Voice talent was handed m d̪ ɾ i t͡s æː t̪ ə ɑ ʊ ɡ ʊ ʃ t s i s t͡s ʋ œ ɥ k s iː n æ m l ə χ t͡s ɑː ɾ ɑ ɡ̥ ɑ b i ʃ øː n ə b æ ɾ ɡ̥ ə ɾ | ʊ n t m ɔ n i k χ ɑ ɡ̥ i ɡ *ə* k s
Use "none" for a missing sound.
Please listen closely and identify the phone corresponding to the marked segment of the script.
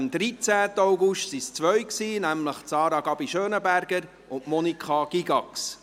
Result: ɑ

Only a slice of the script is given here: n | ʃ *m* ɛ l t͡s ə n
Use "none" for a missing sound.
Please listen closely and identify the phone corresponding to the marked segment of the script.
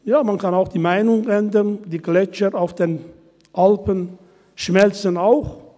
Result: m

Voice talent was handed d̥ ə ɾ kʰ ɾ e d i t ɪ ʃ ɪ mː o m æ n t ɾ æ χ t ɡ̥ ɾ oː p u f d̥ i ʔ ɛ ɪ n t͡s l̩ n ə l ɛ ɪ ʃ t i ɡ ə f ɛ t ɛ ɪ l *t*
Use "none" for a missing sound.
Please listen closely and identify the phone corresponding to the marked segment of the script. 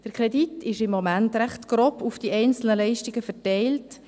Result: t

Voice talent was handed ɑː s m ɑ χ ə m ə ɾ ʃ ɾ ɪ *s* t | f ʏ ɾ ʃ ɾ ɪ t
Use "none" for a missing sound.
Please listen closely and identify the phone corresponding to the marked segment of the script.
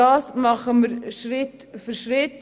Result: none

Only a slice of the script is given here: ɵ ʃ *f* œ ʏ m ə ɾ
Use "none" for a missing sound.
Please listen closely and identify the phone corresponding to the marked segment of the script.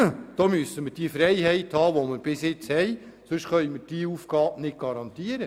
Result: χ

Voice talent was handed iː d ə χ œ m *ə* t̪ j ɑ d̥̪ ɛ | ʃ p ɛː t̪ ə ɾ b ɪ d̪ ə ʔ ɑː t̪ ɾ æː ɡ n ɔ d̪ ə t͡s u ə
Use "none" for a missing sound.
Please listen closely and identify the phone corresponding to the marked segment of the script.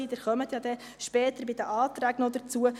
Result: ə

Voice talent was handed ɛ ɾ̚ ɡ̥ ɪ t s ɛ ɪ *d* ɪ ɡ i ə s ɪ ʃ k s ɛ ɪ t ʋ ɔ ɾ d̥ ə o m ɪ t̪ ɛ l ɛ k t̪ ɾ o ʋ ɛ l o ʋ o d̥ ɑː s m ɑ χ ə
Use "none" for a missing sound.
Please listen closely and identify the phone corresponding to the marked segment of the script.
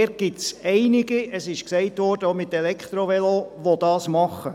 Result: n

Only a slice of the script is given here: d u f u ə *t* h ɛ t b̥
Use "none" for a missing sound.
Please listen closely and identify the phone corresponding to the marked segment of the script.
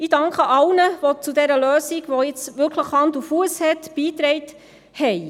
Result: s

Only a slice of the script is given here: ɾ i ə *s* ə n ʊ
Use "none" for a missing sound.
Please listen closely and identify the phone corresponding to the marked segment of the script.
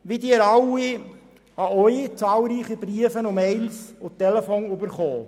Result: f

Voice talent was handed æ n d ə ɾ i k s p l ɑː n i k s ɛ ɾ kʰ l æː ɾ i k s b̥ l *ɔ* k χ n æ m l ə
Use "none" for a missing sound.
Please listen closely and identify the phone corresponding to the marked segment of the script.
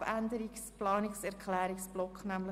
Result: ɔ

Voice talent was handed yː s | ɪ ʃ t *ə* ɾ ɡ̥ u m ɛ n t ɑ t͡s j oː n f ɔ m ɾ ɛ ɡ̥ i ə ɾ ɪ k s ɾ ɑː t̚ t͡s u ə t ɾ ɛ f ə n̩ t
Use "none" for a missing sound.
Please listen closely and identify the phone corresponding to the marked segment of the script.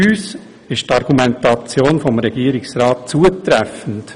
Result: ɑ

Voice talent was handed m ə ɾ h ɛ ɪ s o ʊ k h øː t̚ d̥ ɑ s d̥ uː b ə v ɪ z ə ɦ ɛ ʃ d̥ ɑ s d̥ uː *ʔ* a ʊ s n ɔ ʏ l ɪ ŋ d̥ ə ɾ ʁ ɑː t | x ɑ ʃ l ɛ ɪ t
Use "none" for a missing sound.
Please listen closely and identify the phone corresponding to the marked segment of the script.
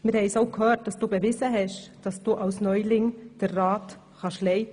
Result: ʔ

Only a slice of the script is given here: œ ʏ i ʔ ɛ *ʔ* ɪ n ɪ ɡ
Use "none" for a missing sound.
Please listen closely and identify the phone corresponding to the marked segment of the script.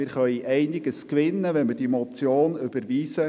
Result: none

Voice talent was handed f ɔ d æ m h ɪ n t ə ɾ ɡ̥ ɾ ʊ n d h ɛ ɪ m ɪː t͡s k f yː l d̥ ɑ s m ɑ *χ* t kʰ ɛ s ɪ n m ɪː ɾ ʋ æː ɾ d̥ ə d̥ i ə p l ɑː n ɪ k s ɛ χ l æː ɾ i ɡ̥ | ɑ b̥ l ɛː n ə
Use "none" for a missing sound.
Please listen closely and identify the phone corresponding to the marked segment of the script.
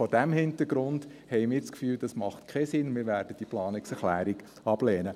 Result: χ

